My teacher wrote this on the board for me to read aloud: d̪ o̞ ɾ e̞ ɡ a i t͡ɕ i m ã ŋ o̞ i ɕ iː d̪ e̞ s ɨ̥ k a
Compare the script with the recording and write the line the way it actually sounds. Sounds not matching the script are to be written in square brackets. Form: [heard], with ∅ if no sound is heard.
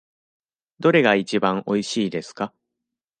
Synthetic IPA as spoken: d̪ o̞ ɾ e̞ ɡ a i t͡ɕ i [b] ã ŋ o̞ i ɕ iː d̪ e̞ s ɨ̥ k a

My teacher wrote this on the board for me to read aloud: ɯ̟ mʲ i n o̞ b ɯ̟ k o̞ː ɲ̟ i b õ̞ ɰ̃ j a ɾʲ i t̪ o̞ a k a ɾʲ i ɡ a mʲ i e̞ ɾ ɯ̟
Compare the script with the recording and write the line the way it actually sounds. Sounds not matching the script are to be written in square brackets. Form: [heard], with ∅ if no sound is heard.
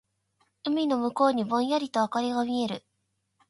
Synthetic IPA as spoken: ɯ̟ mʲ i n o̞ [m] ɯ̟ k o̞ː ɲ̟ i b õ̞ ɰ̃ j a ɾʲ i t̪ o̞ a k a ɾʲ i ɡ a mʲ i e̞ ɾ ɯ̟

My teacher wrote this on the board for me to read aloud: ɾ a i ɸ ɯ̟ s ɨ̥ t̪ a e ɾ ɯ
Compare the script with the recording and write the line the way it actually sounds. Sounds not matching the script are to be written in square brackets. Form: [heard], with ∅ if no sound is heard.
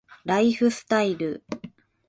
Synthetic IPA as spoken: ɾ a i ɸ ɯ̟ s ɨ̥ t̪ a [i] ɾ ɯ

